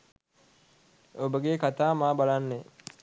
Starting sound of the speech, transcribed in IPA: o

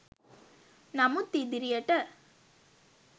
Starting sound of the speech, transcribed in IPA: n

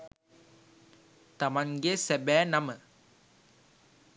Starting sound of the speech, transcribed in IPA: t̪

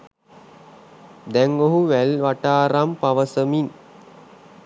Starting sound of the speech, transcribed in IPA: d̪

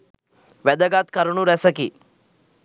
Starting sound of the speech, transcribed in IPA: ʋ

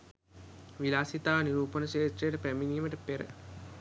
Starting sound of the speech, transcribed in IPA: ʋ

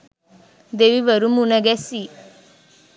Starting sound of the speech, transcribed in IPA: d̪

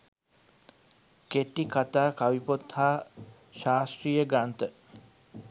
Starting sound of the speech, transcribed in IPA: k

